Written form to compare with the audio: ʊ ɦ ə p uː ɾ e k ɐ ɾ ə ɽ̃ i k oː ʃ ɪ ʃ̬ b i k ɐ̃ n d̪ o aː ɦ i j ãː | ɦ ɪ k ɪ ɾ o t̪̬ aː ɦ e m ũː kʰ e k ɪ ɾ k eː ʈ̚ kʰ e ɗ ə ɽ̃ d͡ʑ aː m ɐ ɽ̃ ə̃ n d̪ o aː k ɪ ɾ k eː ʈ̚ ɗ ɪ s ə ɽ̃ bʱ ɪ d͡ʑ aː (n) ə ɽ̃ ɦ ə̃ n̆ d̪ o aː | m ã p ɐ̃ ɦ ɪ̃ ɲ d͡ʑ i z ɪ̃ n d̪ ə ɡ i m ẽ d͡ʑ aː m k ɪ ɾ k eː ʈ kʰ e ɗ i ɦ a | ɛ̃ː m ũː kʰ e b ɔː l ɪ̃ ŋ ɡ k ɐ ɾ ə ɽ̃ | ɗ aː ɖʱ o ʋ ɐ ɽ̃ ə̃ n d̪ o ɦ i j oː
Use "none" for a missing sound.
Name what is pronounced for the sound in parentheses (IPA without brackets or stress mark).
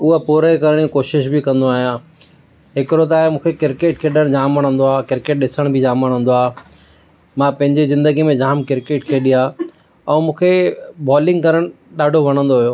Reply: m